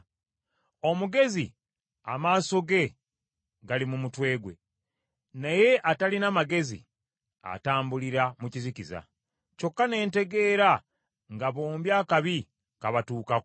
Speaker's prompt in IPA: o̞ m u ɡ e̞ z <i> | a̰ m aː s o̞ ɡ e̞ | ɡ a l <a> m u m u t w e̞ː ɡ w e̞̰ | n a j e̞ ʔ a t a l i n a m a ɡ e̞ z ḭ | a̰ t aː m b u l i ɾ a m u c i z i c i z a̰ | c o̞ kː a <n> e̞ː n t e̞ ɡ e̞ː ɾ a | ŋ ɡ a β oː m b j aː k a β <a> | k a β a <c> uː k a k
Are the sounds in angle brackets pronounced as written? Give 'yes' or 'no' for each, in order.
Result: yes, no, yes, no, no

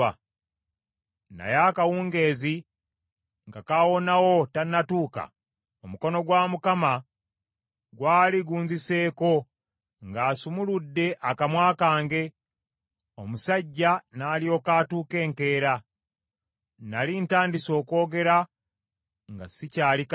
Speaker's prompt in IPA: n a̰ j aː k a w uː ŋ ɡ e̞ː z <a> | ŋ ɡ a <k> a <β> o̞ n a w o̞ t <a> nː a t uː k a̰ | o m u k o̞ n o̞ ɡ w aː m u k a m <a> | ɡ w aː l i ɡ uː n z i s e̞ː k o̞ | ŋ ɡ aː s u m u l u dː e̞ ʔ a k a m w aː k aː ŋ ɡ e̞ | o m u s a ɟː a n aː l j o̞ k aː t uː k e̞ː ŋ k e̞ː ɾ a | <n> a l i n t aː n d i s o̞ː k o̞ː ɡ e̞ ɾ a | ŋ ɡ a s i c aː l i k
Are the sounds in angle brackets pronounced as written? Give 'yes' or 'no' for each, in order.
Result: no, yes, no, yes, yes, yes

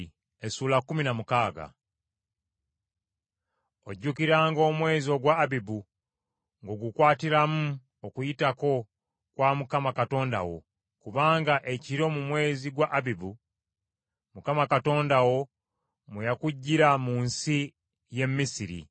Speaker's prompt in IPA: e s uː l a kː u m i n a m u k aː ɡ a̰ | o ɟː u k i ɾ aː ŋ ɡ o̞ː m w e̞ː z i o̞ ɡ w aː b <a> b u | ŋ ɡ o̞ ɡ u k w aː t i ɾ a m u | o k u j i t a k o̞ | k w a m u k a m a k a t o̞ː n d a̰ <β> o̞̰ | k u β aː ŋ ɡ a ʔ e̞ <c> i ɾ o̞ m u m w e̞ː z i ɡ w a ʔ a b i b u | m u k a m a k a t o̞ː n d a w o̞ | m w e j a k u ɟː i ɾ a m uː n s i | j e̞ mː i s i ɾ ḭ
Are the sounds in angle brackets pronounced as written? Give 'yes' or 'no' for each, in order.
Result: no, no, yes

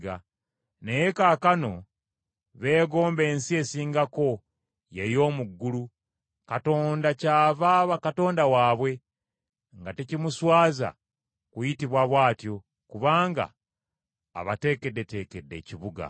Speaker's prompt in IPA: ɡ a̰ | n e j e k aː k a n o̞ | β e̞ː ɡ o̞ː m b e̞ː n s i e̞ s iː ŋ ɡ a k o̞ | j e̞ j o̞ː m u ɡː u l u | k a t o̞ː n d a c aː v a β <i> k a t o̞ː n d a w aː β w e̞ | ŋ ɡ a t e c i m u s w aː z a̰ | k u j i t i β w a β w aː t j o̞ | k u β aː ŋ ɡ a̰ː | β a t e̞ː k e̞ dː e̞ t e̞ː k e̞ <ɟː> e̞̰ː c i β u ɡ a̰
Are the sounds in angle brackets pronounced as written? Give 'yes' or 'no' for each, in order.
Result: no, no

